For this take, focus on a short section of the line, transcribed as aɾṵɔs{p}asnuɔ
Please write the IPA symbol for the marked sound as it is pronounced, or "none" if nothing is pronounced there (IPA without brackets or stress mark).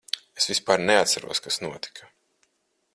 k